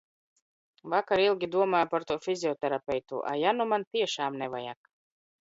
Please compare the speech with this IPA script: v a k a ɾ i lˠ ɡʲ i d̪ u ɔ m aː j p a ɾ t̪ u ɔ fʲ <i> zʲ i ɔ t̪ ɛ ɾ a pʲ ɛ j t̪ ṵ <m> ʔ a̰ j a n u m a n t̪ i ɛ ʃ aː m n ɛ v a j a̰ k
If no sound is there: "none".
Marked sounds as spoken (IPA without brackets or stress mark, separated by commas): i, none